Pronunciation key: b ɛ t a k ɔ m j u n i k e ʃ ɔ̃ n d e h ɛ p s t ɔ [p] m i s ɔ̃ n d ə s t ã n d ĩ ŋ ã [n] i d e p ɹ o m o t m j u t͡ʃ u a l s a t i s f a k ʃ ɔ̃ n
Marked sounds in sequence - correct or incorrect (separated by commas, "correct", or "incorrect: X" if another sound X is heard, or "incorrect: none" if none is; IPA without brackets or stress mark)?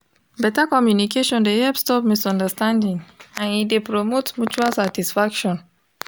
correct, correct